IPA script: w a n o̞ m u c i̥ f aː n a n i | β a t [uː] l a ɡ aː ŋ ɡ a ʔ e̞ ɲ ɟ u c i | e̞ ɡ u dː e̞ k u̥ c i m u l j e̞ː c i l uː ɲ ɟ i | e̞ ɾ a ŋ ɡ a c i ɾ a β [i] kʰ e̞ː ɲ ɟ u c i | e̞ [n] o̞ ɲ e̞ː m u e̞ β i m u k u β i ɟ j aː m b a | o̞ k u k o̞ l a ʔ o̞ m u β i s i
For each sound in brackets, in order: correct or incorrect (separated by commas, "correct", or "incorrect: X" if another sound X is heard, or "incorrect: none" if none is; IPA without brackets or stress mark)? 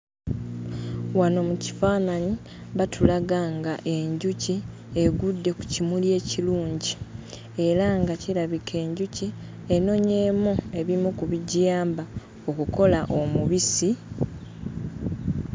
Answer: incorrect: u, correct, correct